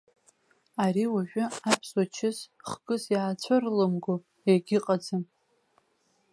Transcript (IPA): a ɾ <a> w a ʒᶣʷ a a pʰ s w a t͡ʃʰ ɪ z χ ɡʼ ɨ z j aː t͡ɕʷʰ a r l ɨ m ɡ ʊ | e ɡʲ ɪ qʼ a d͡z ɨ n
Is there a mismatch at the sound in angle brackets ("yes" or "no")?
yes